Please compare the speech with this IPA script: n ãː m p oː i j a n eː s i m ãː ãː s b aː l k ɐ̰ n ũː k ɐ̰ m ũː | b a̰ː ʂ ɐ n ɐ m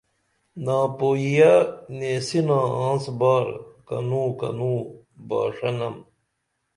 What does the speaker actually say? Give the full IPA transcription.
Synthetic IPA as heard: n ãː p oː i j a n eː s i n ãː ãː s b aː ɾ k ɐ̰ n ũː k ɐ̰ n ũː | b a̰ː ʂ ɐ n ɐ m